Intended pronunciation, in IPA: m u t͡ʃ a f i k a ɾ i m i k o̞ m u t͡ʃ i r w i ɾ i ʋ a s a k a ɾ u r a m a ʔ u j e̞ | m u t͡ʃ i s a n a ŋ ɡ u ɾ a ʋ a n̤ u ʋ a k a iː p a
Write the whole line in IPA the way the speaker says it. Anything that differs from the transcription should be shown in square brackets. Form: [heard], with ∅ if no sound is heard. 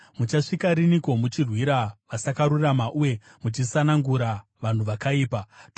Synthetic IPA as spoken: m u t͡ʃ a [ʂ] i k a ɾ i [n] i k o̞ m u t͡ʃ i r w i ɾ [a] ʋ a s a k a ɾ u r a m a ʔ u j e̞ | m u t͡ʃ i s a n a ŋ ɡ u ɾ a ʋ a n̤ u ʋ a k a iː p a